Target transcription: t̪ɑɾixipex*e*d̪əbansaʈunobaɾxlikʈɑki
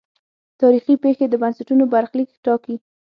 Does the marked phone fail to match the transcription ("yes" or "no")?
no